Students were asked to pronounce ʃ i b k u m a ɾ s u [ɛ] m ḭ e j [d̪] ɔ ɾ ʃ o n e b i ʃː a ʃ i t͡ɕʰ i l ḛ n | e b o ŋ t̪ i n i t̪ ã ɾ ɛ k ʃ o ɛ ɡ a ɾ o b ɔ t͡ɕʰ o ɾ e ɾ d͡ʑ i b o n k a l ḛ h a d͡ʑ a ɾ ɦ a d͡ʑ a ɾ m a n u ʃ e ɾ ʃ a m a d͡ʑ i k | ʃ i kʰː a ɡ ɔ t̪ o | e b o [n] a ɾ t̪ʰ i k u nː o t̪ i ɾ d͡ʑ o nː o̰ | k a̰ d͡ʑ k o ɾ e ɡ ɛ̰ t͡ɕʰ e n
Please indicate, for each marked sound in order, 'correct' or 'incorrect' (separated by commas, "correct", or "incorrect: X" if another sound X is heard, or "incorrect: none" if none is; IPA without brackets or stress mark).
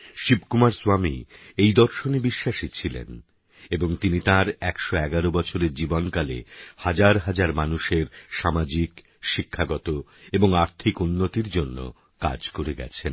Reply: incorrect: a, correct, incorrect: ŋ